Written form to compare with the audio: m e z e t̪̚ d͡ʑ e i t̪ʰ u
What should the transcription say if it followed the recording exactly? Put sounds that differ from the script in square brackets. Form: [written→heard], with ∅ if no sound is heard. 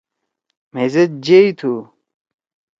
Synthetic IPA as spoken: m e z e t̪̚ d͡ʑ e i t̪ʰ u